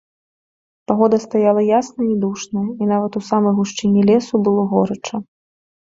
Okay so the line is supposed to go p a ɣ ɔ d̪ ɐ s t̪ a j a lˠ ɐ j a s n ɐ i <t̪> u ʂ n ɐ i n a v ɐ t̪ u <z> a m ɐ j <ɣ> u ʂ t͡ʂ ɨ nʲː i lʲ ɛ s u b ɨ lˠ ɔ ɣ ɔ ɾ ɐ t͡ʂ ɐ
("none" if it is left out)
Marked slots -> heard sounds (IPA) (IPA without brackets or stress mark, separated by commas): d̪, s, ɣ